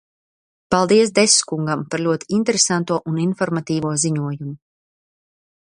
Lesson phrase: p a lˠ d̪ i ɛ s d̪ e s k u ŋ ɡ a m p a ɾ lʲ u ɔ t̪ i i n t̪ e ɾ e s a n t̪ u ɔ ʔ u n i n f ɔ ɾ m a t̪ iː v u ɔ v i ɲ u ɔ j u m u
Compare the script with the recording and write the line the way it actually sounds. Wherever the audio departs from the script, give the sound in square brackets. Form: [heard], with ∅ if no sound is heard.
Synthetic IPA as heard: p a lˠ d̪ i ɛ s d̪ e s k u ŋ ɡ a m p a ɾ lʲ u ɔ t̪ i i n t̪ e ɾ e s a n t̪ u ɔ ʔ u n i n f ɔ ɾ m a t̪ iː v u ɔ [z] i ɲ u ɔ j u m u